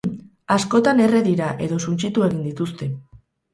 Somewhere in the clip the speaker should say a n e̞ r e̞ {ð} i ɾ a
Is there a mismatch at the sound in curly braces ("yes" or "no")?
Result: no